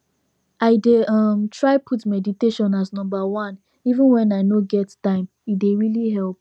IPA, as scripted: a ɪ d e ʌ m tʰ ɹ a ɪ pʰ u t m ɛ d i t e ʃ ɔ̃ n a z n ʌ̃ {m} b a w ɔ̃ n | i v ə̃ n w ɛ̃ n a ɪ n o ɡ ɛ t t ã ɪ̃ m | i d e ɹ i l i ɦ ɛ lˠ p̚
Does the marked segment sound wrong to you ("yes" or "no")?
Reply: no